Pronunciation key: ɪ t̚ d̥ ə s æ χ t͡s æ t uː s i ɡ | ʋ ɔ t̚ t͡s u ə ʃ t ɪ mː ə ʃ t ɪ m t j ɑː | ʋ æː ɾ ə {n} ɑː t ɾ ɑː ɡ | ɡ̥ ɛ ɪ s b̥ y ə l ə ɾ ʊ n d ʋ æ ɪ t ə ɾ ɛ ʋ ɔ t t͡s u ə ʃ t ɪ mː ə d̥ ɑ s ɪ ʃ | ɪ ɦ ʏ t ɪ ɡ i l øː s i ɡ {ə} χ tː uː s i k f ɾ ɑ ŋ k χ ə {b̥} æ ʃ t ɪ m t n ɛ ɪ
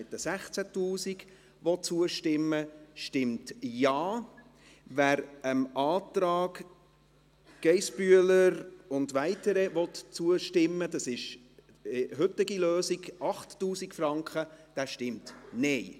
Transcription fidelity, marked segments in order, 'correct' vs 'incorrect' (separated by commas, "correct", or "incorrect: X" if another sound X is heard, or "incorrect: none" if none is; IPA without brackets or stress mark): incorrect: m, incorrect: ɑ, incorrect: d̥